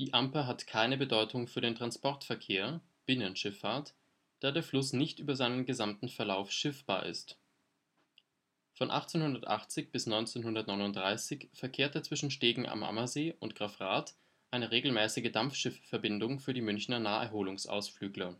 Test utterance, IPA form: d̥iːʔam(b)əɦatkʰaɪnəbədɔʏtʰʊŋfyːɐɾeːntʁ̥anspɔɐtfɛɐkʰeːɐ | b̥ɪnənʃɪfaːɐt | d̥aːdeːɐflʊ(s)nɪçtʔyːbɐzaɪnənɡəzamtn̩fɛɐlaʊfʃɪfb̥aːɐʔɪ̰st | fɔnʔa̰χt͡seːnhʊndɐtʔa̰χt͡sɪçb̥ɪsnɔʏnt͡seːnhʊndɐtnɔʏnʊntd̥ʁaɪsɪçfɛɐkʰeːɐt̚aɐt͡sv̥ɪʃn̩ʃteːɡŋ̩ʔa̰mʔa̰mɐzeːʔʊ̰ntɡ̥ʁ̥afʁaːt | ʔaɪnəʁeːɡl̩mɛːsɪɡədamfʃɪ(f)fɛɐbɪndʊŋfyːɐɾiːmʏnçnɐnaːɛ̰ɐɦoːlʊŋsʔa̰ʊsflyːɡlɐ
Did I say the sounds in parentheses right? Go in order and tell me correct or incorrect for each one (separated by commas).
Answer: incorrect, correct, correct